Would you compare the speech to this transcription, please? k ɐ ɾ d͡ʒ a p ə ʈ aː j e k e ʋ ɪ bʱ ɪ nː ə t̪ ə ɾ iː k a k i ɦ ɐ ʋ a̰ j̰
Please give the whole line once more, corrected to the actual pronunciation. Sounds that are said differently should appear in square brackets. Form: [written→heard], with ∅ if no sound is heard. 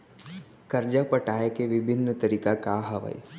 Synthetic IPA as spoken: k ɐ ɾ d͡ʒ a p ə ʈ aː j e k e ʋ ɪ bʱ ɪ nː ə t̪ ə ɾ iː k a k [i→a] ɦ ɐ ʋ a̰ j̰